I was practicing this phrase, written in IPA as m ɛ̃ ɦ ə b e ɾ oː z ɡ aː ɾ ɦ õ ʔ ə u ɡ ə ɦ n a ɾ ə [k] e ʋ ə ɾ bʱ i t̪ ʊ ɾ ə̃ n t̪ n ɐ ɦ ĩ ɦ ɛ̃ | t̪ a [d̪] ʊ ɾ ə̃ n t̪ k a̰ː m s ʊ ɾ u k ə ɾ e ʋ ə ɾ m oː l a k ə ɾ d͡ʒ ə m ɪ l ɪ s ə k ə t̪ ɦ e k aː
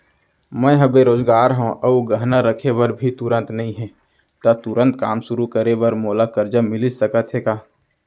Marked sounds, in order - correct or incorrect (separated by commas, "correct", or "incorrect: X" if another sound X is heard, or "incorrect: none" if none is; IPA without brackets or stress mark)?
incorrect: kʰ, incorrect: t̪